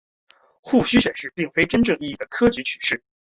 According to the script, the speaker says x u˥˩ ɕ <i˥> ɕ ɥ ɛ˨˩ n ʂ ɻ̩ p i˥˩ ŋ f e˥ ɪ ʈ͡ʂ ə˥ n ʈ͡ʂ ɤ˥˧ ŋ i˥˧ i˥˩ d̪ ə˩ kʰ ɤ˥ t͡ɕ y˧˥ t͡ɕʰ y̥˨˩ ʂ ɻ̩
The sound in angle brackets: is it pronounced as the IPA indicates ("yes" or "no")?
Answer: no